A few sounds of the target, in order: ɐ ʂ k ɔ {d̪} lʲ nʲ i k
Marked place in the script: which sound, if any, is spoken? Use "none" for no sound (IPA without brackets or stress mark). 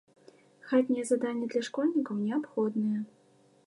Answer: none